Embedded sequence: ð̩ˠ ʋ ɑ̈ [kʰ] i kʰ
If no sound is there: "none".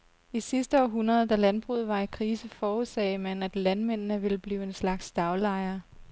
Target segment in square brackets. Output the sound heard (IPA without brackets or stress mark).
none